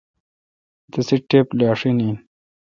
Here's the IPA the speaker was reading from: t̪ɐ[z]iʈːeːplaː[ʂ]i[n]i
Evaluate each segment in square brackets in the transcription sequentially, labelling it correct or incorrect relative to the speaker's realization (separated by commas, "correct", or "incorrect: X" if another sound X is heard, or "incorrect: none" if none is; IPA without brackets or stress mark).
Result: incorrect: s, correct, correct